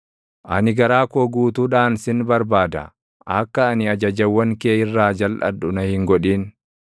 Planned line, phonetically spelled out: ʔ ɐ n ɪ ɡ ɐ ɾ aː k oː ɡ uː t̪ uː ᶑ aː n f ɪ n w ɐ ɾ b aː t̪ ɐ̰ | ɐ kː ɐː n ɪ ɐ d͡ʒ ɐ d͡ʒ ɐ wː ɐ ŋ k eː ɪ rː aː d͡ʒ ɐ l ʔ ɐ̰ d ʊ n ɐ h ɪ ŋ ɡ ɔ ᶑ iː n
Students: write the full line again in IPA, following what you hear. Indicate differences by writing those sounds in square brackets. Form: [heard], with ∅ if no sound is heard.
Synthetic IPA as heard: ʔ ɐ n ɪ ɡ ɐ ɾ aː k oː ɡ uː t̪ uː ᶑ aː n [s] ɪ n [b] ɐ ɾ b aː [d̪] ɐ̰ | ɐ kː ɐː n ɪ ɐ d͡ʒ ɐ d͡ʒ ɐ wː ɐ ŋ k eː ɪ rː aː d͡ʒ ɐ l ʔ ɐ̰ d ʊ n ɐ h ɪ ŋ ɡ ɔ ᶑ iː n